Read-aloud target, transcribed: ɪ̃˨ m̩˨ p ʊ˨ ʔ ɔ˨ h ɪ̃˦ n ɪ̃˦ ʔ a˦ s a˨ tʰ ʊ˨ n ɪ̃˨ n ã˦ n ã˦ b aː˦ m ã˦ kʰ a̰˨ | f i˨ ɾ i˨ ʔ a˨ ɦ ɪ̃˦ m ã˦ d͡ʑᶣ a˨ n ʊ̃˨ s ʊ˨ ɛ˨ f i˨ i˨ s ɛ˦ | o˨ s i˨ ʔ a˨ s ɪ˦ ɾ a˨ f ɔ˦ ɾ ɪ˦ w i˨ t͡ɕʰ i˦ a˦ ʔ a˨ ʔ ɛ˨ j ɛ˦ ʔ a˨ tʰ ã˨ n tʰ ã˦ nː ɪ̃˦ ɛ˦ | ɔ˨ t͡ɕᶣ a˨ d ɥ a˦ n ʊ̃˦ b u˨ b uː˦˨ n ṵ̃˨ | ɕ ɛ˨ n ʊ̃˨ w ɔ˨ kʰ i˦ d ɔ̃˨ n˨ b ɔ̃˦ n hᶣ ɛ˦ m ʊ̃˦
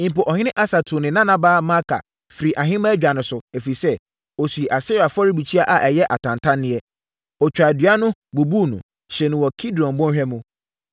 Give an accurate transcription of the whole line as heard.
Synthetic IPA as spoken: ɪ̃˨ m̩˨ p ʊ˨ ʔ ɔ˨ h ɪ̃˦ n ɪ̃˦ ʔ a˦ s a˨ tʰ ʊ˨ n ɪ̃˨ n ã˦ n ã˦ b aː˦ m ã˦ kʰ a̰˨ | f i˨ ɾ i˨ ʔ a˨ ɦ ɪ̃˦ m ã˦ d͡ʑᶣ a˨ n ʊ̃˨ s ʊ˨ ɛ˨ f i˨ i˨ s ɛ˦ | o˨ s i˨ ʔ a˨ s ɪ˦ ɾ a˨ f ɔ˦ ɾ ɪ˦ b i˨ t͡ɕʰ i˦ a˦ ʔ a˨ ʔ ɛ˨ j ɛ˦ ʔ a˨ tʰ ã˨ n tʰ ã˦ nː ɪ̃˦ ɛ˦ | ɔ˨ t͡ɕᶣ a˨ d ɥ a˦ n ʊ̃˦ b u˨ b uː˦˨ n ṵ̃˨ | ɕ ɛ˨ n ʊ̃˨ w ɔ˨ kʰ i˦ d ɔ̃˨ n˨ b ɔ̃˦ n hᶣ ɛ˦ m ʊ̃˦

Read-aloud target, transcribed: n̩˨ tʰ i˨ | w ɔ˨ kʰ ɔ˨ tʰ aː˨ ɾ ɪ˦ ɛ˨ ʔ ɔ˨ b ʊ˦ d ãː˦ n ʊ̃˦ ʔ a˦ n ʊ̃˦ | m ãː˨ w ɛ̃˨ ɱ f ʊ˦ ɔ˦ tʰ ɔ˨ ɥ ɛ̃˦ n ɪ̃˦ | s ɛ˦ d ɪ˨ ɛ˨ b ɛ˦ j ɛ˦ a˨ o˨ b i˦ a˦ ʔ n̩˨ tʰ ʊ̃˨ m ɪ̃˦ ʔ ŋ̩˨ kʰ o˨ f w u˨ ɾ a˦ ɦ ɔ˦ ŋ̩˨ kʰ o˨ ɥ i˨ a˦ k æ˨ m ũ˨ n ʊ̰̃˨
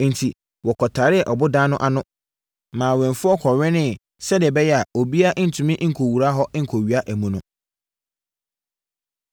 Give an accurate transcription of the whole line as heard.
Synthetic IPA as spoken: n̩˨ tʰ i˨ | w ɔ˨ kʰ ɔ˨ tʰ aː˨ ɾ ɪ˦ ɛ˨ ʔ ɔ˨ b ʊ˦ d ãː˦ n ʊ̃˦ ʔ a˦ n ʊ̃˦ | m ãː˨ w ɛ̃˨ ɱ f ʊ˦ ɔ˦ kʰ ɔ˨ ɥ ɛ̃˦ n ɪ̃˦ | s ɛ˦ d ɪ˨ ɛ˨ b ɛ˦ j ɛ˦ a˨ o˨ b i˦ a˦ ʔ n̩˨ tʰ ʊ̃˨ m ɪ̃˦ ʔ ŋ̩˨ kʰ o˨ w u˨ ɾ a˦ ɦ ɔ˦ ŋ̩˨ kʰ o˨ ɥ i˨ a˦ ʔ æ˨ m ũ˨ n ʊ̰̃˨

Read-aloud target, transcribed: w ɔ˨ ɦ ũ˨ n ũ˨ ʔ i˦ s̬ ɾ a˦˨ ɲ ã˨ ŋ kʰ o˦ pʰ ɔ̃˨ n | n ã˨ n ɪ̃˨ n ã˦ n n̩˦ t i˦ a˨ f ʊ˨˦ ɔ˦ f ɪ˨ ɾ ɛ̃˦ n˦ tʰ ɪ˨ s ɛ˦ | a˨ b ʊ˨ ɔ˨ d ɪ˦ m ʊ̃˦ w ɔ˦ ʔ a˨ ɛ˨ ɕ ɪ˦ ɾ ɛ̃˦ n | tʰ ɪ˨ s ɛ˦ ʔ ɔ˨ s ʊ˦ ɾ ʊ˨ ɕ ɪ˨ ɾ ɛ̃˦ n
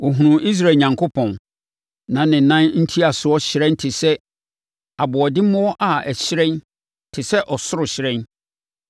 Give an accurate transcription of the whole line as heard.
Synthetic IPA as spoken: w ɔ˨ ɦ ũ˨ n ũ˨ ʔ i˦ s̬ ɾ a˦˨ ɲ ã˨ ŋ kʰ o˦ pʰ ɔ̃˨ n | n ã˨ n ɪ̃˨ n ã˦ n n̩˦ tʰ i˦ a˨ s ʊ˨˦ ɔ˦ ɕ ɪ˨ ɾ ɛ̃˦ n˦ tʰ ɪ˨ s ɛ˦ | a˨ b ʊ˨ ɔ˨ d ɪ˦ m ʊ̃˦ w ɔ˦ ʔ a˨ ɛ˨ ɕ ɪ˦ ɾ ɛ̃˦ n | tʰ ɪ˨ s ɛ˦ ʔ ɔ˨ s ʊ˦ ɾ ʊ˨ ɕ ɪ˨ ɾ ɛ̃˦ n

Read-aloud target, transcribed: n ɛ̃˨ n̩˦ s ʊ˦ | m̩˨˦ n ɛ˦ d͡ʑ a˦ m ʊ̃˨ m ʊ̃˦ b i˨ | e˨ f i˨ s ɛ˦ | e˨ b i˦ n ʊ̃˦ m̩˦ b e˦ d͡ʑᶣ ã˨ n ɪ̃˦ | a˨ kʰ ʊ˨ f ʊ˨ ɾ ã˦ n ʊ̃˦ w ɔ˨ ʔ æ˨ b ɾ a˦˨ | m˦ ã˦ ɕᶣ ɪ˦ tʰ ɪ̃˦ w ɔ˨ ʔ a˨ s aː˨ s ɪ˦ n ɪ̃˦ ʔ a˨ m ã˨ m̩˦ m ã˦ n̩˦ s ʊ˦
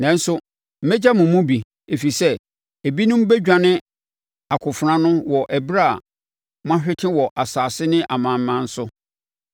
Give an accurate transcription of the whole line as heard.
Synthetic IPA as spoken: n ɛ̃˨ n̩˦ s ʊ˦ | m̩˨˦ m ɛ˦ d͡ʑ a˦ m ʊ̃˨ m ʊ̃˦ b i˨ | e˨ f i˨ s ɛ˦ | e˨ b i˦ n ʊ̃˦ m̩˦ b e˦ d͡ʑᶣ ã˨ n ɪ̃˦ | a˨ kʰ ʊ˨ f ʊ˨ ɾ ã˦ n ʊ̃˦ w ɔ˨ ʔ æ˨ b ɾ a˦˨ | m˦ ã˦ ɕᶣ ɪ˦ tʰ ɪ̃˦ w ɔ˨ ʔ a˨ s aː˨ s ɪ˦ n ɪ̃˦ ʔ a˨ m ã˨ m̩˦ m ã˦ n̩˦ s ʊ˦

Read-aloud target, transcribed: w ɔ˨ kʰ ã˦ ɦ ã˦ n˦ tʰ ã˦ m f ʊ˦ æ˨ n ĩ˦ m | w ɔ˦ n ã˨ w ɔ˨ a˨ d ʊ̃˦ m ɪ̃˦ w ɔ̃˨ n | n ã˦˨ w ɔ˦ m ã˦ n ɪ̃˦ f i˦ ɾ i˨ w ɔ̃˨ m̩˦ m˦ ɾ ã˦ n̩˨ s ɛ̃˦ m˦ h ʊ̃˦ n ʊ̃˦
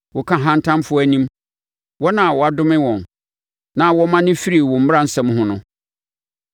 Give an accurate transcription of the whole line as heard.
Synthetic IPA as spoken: w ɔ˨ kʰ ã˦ ɦ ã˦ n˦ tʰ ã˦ m f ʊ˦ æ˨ n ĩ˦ m | w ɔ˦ n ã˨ w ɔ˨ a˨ d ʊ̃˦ m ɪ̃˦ w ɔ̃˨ n | n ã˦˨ w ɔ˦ m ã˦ n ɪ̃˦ f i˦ ɾ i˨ w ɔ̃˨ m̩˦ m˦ ɾ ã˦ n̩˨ s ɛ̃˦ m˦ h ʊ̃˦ n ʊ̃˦

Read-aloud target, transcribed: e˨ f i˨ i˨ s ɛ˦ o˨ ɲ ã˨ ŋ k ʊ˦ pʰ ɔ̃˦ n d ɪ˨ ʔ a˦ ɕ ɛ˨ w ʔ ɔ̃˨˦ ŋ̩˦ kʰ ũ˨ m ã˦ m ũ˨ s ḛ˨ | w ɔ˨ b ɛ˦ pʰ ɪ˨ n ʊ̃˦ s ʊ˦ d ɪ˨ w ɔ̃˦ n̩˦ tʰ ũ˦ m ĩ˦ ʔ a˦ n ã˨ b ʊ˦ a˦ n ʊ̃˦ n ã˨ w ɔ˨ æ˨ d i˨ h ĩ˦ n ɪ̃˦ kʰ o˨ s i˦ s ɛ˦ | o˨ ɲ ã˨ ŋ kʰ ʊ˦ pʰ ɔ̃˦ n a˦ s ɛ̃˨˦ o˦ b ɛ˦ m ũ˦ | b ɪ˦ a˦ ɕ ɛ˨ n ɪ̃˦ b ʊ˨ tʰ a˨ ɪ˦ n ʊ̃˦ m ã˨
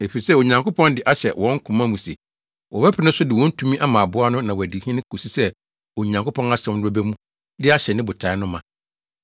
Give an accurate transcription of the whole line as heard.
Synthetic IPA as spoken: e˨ f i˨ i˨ s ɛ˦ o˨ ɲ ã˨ ŋ k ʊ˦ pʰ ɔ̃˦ n d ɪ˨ ʔ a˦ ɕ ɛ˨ w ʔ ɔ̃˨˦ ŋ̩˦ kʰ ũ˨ m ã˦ m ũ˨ s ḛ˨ | w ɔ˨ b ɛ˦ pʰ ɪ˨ n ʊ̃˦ s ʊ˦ d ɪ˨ w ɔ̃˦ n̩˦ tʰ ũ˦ m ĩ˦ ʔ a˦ m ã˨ b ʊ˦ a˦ n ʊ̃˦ n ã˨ w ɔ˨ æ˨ d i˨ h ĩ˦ n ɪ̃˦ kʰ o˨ s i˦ s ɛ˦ | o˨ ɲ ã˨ ŋ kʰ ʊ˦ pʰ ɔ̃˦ n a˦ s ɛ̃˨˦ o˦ b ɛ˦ m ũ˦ | d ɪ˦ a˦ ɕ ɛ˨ n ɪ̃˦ b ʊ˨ tʰ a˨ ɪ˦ n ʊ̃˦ m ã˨

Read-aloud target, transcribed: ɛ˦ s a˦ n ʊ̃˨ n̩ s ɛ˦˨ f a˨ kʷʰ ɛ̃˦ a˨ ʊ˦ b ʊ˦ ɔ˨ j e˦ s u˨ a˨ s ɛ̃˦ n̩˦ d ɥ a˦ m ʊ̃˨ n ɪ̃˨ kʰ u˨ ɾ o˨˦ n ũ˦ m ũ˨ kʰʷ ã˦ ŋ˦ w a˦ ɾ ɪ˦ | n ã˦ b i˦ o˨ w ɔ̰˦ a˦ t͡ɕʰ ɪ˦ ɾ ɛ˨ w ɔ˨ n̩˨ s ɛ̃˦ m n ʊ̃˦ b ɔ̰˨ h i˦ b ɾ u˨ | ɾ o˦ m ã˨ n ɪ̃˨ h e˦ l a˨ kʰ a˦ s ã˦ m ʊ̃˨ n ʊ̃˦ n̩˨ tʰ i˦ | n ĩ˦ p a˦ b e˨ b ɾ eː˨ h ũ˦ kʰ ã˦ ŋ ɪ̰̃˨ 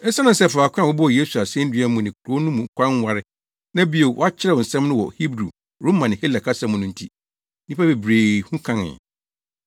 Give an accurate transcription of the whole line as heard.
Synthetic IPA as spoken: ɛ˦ s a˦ n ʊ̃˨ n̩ s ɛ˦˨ f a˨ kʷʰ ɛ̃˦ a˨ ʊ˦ b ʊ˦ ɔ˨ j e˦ s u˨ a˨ s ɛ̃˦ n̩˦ d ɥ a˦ m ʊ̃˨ n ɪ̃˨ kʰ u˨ ɾ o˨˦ n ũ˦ m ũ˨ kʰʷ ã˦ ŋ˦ w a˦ ɾ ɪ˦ | n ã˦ b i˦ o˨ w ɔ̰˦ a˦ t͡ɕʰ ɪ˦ ɾ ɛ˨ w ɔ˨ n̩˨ s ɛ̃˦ m n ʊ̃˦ w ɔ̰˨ h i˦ b ɾ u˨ | ɾ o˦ m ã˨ n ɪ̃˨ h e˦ l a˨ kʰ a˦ s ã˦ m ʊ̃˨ n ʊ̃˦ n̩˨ tʰ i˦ | n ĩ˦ p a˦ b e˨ b ɾ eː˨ h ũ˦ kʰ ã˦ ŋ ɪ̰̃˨

